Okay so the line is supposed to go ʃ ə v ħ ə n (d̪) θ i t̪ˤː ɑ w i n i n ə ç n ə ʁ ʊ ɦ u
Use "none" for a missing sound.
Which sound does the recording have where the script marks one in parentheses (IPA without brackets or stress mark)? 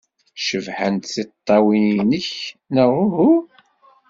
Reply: t̪